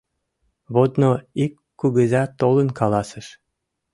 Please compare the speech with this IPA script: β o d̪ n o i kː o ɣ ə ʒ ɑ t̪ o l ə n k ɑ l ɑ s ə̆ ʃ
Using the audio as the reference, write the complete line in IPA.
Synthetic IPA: β o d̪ n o i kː u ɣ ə z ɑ t̪ o l ə n k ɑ l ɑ s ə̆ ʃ